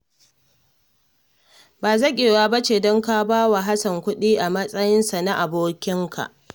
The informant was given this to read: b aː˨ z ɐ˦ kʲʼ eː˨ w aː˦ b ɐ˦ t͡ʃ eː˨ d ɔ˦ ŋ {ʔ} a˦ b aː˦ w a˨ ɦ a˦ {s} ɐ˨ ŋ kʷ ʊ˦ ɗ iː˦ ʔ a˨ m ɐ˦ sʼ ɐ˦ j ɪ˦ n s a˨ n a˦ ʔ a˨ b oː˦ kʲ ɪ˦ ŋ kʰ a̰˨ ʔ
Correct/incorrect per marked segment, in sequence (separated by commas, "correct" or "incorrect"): incorrect, correct